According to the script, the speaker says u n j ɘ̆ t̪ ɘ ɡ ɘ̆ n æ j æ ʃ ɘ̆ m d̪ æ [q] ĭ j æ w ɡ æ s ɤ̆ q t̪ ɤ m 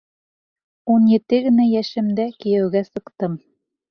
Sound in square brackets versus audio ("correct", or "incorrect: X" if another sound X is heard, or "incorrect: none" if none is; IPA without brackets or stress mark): incorrect: k